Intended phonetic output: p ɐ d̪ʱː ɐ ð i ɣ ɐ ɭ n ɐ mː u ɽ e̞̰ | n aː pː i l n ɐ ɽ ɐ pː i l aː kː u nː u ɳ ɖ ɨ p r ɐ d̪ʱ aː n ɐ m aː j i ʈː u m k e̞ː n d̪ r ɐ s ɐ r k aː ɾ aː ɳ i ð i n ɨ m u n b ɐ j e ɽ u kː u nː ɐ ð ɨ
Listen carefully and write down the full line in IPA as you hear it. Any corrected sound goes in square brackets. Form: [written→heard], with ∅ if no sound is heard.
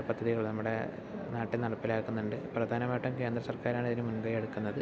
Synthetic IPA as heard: p ɐ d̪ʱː ɐ ð i ɣ ɐ ɭ n ɐ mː u ɽ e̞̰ | n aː [pː→ʈː] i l n ɐ ɽ ɐ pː i l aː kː u nː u ɳ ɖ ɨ p r ɐ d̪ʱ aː n ɐ m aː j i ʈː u m k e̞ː n d̪ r ɐ s ɐ r k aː ɾ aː ɳ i ð i n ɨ m u n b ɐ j e ɽ u kː u nː ɐ ð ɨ